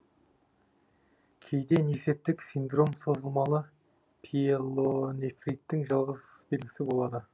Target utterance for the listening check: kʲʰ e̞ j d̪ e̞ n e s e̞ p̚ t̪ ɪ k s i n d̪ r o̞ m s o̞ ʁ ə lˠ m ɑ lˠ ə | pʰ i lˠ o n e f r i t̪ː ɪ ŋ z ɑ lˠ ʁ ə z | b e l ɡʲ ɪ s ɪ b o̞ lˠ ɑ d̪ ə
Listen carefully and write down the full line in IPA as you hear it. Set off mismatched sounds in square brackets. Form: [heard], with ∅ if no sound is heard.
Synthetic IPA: kʲʰ e̞ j d̪ e̞ n e s e̞ p̚ t̪ ɪ k s i n d̪ r o̞ m s o̞ [z] ə lˠ m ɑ lˠ ə | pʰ i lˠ o n e f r i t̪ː ɪ ŋ [ʒ] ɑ lˠ ʁ ə z | b e l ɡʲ ɪ s ɪ b o̞ lˠ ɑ d̪ ə